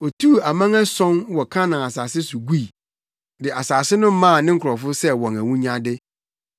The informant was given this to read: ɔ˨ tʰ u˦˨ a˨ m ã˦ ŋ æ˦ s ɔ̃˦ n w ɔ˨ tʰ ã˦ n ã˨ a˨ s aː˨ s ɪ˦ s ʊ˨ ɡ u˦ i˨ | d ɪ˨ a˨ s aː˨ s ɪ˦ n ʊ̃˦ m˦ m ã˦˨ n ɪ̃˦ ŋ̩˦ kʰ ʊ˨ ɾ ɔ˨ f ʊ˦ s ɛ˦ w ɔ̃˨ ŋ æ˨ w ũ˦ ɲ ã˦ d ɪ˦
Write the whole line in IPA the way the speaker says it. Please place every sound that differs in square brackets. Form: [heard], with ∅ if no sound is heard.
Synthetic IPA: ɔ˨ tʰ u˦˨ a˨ m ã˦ ŋ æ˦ s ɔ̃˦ n w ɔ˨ [kʰ] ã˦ n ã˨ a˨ s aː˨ s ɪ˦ s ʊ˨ ɡ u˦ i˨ | d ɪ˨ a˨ s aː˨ s ɪ˦ n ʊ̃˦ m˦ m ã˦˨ n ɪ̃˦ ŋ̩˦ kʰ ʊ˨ ɾ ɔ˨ f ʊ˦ s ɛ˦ w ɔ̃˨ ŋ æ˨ w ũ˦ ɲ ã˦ d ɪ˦